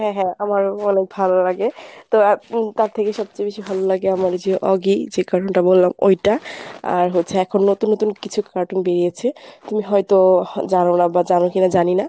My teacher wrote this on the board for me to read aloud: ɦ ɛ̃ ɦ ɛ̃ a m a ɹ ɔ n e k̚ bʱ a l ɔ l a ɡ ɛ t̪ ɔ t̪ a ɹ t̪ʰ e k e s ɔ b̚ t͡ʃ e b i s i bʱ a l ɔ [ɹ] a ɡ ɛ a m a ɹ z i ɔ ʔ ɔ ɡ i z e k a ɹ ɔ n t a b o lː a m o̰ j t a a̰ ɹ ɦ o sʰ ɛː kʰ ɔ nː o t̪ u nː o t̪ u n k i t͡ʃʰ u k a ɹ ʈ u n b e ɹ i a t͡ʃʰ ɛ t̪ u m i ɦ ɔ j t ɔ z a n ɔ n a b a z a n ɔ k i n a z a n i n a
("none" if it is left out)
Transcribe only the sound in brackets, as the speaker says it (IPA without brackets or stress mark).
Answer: l